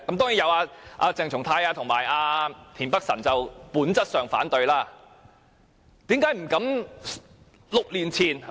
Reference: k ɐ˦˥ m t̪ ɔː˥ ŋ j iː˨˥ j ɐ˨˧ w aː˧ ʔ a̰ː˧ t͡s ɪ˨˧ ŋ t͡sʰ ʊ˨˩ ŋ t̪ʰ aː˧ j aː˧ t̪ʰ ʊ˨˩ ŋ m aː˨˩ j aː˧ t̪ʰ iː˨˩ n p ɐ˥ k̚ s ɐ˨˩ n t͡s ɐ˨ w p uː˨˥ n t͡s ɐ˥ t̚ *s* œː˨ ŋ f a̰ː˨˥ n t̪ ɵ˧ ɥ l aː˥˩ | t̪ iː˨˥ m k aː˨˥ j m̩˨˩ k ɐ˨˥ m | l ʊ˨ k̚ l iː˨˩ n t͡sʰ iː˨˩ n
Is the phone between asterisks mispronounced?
no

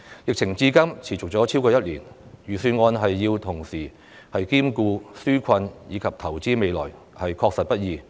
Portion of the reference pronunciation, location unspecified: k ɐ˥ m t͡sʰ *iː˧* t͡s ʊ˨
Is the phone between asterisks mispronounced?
yes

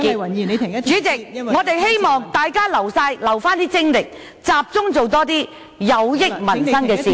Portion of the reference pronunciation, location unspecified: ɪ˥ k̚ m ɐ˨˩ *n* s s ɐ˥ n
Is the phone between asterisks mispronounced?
no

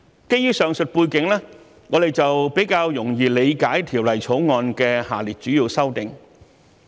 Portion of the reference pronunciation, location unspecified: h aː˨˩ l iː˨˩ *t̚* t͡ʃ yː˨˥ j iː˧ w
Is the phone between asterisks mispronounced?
no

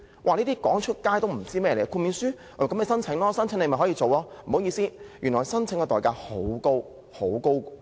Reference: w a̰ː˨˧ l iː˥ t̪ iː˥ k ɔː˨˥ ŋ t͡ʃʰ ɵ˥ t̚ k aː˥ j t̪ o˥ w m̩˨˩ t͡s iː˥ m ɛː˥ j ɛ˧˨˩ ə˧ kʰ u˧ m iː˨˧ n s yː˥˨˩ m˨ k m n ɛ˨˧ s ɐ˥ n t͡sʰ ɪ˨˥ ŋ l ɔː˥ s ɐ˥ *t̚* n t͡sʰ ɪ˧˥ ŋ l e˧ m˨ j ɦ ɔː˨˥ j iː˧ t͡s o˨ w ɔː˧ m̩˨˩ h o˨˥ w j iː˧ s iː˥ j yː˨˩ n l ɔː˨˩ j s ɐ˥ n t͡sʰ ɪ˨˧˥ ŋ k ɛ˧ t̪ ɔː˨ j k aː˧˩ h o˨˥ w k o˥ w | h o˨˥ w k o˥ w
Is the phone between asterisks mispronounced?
yes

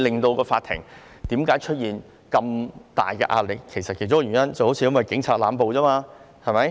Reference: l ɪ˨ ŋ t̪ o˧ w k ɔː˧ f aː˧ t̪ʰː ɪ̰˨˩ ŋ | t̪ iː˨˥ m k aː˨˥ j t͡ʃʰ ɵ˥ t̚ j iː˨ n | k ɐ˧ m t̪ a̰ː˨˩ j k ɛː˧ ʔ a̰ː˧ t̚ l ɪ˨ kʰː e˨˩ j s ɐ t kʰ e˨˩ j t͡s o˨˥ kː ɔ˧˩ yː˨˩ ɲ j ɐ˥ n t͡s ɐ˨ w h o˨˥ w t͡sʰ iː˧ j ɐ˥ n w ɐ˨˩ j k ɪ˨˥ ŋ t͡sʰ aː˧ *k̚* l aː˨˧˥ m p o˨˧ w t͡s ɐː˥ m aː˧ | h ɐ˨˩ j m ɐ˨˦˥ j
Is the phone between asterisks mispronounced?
yes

